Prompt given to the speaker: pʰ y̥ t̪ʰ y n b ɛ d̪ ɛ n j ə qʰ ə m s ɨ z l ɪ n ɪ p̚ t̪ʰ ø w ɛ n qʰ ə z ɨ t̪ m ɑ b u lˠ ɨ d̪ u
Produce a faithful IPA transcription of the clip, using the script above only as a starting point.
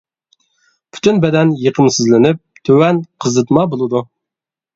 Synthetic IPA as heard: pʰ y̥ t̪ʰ y n b ɛ d̪ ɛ n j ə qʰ ə m s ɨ z l ɪ n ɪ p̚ t̪ʰ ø w ɛ n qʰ ə z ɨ t̪ m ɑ b o lˠ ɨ d̪ u